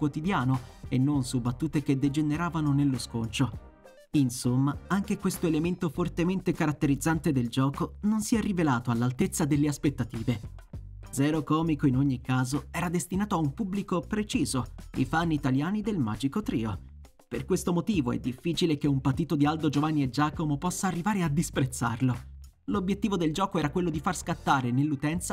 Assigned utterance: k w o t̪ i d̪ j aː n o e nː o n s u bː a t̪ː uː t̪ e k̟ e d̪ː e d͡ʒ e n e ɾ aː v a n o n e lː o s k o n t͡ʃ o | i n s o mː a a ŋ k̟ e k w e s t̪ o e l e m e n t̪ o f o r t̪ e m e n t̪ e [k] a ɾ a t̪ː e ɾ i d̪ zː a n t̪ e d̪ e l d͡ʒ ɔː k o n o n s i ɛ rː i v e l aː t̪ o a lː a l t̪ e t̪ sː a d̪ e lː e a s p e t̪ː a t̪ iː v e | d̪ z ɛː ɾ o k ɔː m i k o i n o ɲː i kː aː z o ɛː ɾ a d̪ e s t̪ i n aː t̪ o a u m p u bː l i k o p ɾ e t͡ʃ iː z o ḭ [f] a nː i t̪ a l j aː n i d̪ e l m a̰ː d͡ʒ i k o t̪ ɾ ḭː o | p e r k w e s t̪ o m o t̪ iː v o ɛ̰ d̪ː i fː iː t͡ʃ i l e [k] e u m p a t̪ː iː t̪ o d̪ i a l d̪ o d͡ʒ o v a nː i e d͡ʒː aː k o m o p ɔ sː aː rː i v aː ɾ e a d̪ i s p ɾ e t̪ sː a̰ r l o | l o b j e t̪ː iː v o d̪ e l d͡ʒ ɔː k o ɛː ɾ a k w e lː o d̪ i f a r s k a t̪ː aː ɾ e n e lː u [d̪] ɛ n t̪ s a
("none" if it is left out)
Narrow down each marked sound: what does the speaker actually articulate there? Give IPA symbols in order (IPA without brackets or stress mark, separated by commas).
k, f, k, t̪